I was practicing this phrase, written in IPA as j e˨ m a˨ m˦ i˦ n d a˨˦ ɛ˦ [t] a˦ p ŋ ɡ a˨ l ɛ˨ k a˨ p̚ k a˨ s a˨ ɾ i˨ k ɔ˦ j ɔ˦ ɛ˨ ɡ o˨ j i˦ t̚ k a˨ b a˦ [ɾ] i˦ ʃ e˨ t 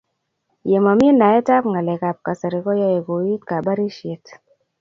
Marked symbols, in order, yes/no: yes, yes

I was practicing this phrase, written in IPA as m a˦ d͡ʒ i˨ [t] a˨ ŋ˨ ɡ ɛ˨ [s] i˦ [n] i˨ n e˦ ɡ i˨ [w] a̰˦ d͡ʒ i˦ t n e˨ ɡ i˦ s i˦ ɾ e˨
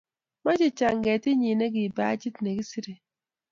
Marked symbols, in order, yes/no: no, no, no, no

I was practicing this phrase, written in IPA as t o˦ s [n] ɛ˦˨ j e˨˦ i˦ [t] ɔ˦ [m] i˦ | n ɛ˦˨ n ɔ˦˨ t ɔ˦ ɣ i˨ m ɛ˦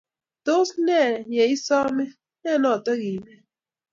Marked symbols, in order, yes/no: yes, no, yes

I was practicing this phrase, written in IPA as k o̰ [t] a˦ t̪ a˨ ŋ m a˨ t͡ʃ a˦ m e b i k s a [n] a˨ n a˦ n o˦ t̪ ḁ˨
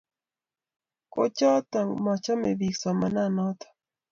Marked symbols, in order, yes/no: no, no

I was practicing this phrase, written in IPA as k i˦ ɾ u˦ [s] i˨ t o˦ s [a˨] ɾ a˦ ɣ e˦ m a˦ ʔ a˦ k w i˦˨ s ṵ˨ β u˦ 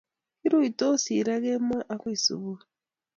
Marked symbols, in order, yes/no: no, no

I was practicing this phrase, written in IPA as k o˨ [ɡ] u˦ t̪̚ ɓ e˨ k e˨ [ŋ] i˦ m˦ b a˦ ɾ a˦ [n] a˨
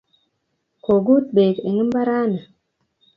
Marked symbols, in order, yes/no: yes, yes, yes

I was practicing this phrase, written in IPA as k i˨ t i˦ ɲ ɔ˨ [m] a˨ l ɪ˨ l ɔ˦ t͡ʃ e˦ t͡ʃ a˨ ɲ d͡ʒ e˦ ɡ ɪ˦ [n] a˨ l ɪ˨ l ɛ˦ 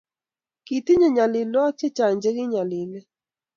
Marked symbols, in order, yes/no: no, no

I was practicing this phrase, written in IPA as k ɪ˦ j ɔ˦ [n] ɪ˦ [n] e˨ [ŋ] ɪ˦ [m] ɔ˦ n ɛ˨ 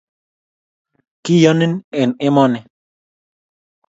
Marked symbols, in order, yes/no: yes, yes, no, yes

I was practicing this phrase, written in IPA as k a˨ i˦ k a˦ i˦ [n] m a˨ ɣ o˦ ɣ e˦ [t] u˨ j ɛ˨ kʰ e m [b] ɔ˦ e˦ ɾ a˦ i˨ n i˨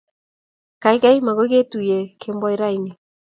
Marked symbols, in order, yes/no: no, yes, yes

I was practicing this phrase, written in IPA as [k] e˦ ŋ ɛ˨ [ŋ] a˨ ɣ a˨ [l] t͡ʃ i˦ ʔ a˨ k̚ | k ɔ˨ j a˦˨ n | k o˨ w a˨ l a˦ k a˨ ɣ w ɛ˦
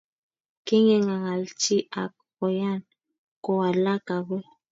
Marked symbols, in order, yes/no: yes, yes, yes

